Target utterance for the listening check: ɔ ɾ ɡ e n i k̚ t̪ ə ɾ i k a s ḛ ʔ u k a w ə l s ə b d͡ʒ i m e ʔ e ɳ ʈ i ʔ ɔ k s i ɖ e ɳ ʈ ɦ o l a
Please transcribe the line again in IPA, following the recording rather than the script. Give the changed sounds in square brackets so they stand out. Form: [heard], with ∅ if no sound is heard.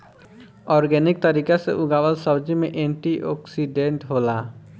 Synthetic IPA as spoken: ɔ ɾ ɡ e n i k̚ t̪ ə ɾ i k a s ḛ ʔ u [ɡ] a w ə l s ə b d͡ʒ i m e ʔ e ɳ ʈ i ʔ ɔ k s i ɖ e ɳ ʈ ɦ o l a

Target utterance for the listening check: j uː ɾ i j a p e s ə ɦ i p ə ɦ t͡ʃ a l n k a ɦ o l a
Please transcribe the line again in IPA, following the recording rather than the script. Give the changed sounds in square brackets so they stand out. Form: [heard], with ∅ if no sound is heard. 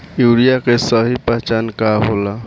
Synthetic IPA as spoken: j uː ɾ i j a [k] e s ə ɦ i p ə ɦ t͡ʃ a [∅] n k a ɦ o l a

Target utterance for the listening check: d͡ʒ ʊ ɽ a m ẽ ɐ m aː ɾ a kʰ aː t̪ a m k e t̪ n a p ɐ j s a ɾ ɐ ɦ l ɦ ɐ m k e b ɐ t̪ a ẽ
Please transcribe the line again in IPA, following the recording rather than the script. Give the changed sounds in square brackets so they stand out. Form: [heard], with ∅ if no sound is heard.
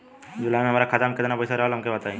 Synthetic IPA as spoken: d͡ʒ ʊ [l] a m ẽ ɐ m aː ɾ a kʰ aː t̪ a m k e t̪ n a p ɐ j s a ɾ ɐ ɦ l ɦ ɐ m k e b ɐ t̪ a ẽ

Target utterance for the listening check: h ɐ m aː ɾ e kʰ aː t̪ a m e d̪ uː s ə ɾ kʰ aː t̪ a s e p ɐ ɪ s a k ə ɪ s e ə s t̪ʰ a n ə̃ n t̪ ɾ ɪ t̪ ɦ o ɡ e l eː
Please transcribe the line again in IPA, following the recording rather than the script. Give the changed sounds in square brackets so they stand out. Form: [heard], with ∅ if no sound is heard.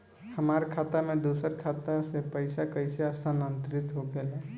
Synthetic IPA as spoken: h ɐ m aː ɾ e kʰ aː t̪ a m [ẽ] d̪ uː s ə ɾ kʰ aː t̪ a s e p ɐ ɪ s a k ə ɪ s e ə s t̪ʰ a n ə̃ n t̪ ɾ ɪ t̪ ɦ o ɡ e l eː

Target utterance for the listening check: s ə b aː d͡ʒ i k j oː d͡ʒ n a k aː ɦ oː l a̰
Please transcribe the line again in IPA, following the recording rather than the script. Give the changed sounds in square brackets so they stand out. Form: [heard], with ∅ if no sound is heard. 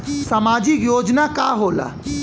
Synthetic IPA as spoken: s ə [m] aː d͡ʒ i k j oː d͡ʒ n a k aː ɦ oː l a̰

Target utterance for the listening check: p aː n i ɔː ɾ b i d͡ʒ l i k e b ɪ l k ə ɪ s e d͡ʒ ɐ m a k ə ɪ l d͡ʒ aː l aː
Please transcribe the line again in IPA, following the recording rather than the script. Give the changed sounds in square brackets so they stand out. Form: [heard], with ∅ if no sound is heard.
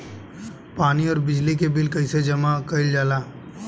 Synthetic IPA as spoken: p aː n i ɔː ɾ b [ɪ] d͡ʒ l i k e b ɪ l k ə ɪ s e d͡ʒ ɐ m a k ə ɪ l d͡ʒ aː l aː

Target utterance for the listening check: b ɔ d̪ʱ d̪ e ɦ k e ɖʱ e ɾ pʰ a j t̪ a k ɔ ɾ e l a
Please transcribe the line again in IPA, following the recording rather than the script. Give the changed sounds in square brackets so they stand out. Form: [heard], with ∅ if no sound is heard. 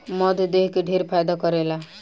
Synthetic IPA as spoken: [m] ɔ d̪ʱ d̪ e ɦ k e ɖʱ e ɾ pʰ a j [d̪] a k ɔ ɾ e l a

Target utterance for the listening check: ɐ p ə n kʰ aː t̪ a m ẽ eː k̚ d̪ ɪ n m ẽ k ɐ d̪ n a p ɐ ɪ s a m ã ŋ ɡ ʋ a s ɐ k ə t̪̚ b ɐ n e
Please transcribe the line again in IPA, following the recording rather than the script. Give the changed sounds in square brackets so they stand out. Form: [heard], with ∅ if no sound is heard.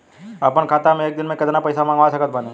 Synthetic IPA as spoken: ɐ p ə n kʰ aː t̪ a m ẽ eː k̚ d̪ ɪ n m ẽ k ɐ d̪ n a p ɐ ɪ s a m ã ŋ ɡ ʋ a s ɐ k ə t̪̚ b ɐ n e

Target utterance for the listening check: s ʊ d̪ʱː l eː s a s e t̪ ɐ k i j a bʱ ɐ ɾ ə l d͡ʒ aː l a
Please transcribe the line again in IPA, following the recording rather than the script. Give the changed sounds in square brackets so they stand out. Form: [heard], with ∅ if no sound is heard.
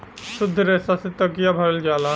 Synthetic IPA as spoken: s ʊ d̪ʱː [ɾ] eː s a s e t̪ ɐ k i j a bʱ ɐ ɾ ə l d͡ʒ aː l a

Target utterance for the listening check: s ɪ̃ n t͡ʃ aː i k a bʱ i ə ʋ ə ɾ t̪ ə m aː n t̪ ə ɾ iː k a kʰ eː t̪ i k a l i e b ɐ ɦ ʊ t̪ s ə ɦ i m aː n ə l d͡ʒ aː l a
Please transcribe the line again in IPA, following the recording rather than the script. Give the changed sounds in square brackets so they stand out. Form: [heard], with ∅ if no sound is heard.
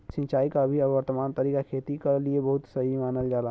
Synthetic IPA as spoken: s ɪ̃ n t͡ʃ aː i k a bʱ i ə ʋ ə ɾ t̪ ə m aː n t̪ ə ɾ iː k a kʰ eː t̪ i k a l i e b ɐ ɦ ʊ t̪ s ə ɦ i m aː n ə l d͡ʒ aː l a

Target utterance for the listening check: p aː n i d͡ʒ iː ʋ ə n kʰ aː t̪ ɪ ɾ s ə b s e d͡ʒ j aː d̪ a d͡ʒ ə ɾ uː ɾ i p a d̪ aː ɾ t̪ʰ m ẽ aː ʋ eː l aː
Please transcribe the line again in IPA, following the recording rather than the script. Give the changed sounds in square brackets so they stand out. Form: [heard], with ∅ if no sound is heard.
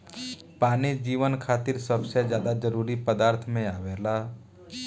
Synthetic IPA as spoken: p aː n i d͡ʒ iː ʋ ə n kʰ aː t̪ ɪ ɾ s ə b s e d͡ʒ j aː d̪ a d͡ʒ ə ɾ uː ɾ i p [ə] d̪ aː ɾ t̪ʰ m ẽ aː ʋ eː l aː

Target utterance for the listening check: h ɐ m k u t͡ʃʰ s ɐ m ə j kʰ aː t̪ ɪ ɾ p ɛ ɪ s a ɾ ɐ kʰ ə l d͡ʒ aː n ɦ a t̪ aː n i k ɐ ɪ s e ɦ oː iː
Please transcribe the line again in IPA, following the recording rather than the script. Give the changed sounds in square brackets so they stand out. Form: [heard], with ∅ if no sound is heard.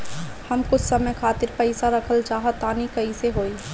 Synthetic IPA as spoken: h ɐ m k [ʊ] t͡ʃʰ s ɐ m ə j kʰ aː t̪ ɪ ɾ p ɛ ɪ s a ɾ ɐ kʰ ə l d͡ʒ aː [∅] ɦ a t̪ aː n i k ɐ [i] s e ɦ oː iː

